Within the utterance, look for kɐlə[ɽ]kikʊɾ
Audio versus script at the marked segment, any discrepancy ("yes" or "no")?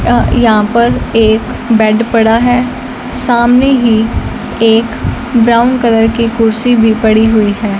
yes